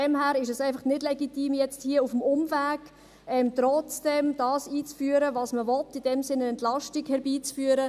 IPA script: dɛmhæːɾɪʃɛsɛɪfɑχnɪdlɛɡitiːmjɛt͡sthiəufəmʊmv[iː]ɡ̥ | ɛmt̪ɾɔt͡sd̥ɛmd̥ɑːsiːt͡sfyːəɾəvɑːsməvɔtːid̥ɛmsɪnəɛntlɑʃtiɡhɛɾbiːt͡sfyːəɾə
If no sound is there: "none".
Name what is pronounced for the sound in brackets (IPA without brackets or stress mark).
æː